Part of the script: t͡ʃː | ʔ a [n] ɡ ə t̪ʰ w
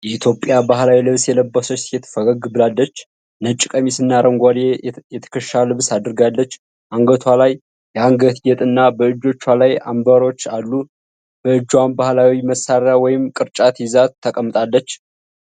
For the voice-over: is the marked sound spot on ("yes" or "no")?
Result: no